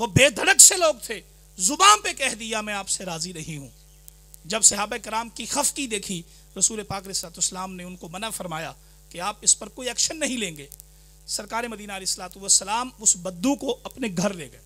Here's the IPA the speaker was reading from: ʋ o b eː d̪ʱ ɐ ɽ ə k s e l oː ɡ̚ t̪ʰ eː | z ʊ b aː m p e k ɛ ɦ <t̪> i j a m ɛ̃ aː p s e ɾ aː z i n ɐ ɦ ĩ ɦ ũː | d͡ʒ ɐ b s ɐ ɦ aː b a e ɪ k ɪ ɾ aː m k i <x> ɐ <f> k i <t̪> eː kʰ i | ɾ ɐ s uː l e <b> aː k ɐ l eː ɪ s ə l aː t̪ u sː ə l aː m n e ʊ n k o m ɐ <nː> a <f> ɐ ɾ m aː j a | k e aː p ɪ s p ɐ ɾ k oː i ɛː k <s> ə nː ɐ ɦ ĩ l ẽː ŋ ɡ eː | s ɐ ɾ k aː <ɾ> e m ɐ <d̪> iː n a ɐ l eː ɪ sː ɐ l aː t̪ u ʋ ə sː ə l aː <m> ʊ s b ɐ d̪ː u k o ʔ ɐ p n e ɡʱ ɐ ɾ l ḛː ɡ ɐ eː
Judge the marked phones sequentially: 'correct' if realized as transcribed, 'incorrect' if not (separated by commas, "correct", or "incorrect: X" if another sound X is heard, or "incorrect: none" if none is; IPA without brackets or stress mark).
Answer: incorrect: d̪, correct, correct, incorrect: d̪, incorrect: p, incorrect: n, correct, incorrect: ʃ, correct, correct, correct